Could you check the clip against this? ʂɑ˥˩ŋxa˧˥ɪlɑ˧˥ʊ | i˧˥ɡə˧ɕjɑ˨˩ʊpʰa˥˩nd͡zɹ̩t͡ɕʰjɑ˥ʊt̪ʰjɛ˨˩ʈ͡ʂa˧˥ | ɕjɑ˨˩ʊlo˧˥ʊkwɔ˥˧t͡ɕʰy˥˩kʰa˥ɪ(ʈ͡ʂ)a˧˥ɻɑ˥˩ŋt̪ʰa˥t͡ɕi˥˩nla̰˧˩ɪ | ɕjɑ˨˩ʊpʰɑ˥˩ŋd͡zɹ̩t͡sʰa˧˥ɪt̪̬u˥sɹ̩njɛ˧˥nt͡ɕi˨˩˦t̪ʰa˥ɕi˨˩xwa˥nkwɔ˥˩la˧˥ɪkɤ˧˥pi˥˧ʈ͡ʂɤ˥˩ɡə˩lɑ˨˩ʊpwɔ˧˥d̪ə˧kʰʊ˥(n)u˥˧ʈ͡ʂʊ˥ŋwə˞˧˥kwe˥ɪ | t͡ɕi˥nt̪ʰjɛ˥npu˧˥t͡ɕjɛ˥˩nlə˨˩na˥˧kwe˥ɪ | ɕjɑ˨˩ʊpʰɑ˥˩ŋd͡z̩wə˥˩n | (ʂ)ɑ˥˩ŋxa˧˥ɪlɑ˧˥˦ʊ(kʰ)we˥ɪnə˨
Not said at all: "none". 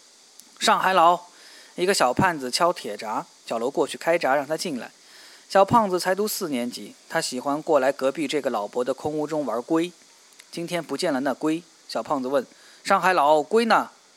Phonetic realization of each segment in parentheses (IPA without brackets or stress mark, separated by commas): ʈ͡ʂ, ŋ, ʂ, k